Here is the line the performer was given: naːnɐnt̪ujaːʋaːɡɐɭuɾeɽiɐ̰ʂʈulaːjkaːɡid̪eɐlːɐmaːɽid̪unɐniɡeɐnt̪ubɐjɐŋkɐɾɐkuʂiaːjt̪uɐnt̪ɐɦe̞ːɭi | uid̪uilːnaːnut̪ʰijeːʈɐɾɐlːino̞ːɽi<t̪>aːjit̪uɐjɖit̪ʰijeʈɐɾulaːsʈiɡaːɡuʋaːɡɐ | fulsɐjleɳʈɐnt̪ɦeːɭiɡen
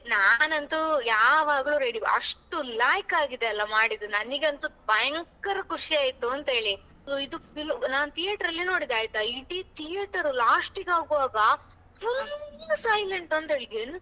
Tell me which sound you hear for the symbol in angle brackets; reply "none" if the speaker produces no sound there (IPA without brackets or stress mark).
d̪